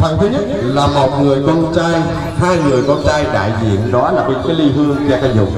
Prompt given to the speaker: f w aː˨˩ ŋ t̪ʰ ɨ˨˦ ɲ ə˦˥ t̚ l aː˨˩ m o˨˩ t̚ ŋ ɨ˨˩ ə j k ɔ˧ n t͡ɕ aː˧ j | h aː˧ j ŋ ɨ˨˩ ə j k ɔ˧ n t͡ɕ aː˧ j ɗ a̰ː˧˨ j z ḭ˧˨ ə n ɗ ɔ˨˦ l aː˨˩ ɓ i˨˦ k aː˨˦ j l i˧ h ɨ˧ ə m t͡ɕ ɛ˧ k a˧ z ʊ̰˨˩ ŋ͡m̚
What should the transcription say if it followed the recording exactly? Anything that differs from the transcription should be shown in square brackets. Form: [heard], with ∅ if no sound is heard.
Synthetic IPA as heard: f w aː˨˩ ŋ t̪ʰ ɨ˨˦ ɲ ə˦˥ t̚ l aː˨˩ m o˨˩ t̚ ŋ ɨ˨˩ ə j k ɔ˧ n t͡ɕ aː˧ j | h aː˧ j ŋ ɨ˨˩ ə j k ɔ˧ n t͡ɕ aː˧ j ɗ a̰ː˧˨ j z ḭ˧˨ ə n ɗ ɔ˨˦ l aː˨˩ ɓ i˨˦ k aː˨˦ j l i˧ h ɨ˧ ə [ŋ] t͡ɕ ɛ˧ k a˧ z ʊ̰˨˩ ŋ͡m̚